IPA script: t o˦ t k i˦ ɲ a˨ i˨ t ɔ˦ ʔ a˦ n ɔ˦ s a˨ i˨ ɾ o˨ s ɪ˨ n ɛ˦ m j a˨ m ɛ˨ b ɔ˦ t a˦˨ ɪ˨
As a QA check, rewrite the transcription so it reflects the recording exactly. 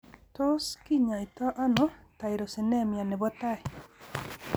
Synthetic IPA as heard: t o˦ s k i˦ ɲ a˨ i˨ t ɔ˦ ʔ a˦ n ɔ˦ t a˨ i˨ ɾ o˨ s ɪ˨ n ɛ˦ m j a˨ n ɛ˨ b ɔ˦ t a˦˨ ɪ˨